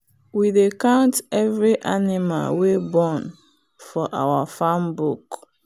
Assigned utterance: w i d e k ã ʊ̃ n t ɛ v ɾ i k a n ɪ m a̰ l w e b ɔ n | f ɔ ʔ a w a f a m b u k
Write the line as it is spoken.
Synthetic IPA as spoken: w i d e k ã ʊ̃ n t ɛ v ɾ i ʔ a n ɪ m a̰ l w e b ɔ n | f ɔ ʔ a w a f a m b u k